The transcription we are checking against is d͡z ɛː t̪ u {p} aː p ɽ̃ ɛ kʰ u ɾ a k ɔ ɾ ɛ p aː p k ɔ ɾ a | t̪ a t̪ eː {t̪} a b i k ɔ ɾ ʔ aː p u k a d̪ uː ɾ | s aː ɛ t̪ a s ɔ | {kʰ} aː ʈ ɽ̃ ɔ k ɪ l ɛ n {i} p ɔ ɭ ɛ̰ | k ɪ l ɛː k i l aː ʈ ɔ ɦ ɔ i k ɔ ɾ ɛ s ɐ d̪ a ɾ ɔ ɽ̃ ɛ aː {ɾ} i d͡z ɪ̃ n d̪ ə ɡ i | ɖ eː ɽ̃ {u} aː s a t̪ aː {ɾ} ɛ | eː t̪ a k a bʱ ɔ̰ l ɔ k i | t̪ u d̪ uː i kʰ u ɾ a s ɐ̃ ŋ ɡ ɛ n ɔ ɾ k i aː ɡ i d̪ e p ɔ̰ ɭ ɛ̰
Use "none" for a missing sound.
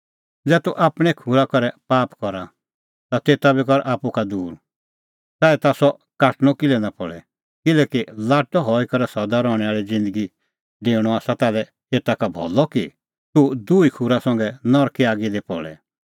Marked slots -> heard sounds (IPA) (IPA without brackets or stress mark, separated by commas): ʔ, t̪, k, a, ɭ, ɔ, l